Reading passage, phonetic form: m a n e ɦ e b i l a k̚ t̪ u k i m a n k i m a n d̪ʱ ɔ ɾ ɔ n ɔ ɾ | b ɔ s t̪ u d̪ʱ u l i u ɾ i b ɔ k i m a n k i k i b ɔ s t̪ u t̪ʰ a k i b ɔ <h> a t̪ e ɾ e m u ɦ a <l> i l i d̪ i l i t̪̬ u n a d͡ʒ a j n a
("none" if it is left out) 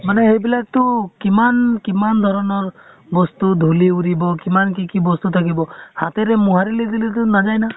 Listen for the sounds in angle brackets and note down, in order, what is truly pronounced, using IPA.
h, ɾ

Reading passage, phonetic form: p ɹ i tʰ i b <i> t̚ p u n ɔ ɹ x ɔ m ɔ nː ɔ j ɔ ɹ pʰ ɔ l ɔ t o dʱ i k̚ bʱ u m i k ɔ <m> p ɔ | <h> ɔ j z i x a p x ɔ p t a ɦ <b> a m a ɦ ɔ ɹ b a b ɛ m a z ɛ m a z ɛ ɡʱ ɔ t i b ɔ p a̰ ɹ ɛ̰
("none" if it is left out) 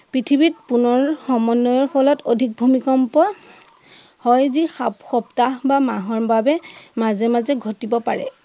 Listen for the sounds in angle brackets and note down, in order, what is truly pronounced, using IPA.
i, m, h, b

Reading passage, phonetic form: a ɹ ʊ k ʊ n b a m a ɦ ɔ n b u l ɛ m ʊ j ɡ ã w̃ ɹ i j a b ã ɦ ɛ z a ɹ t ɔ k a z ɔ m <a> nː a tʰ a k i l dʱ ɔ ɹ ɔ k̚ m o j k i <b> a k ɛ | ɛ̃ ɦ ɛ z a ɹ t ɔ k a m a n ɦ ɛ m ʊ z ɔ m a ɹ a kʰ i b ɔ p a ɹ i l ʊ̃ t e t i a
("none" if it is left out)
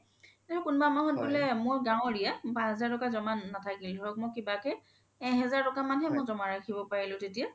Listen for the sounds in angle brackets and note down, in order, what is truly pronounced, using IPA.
a, b

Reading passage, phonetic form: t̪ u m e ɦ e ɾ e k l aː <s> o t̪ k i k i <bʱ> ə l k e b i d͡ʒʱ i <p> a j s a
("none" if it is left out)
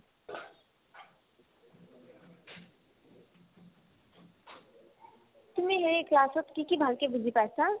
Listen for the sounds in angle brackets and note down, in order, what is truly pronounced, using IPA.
s, bʱ, p

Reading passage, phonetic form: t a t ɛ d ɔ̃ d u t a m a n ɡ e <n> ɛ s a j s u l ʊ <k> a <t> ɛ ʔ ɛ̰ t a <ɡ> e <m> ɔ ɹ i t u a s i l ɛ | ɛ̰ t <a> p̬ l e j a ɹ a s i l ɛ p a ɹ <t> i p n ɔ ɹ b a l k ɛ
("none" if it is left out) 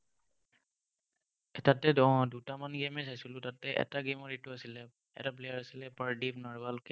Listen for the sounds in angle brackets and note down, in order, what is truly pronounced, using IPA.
m, t, t, ɡ, m, a, d

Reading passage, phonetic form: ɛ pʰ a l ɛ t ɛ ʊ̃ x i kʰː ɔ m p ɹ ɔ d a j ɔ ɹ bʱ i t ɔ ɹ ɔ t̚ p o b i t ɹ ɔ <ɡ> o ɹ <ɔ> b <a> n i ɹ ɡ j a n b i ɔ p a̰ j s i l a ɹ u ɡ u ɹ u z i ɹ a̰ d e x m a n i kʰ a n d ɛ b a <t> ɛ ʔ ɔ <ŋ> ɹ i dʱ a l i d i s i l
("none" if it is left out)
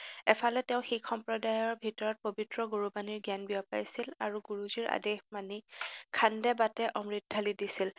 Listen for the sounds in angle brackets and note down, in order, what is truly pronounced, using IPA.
ɡ, u, a, t, m

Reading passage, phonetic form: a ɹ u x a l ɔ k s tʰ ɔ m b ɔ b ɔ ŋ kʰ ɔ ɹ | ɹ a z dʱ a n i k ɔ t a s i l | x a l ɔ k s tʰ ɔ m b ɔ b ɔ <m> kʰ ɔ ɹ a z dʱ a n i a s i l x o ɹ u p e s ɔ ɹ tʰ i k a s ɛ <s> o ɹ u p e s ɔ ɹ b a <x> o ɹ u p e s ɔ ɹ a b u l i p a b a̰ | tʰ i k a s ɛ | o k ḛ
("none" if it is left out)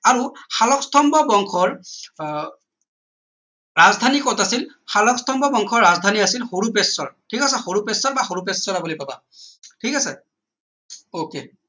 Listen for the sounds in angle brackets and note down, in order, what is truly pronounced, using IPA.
ŋ, x, x

